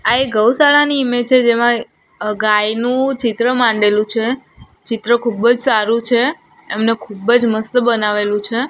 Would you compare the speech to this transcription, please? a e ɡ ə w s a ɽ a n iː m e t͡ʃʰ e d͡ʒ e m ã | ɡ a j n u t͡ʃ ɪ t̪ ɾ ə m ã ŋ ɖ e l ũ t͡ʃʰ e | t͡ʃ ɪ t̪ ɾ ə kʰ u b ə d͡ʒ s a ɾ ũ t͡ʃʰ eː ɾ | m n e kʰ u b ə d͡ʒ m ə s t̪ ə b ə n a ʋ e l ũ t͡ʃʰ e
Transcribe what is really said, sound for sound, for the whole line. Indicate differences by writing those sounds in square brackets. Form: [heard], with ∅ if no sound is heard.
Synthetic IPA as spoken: a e ɡ ə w s a [ɭ] a n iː m e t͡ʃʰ e d͡ʒ e m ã | ɡ a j n [ũ] t͡ʃ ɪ t̪ ɾ ə m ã [ɳ] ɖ e l ũ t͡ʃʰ e | t͡ʃ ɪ t̪ ɾ ə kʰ u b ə d͡ʒ s a ɾ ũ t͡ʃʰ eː [∅] | m n e kʰ u b ə d͡ʒ m ə s t̪ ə b ə n a ʋ e l ũ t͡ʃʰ e